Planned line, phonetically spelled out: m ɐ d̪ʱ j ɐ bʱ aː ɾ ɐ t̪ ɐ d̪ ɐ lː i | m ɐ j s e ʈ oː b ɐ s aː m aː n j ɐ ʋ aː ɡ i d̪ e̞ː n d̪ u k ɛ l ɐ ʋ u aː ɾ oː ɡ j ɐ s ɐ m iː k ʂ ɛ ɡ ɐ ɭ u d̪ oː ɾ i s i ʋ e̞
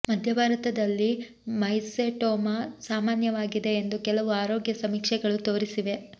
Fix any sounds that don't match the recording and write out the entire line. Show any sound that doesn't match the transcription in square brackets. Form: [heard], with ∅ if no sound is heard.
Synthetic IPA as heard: m ɐ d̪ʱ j ɐ bʱ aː ɾ ɐ t̪ ɐ d̪ ɐ lː i | m ɐ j s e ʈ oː [m] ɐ s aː m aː n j ɐ ʋ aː ɡ i d̪ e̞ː n d̪ u k ɛ l ɐ ʋ u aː ɾ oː ɡ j ɐ s ɐ m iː k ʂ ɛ ɡ ɐ ɭ u [t̪] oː ɾ i s i ʋ e̞